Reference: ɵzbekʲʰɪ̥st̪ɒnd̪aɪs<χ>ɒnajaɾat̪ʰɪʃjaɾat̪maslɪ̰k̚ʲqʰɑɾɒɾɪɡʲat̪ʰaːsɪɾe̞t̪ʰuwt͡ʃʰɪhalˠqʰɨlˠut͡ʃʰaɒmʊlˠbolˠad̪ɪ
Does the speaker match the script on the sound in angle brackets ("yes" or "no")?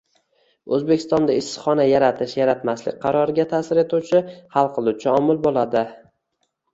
yes